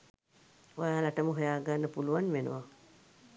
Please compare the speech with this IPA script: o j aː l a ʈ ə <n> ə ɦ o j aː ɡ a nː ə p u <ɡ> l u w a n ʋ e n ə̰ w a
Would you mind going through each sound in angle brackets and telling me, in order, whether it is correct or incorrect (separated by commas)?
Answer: incorrect, incorrect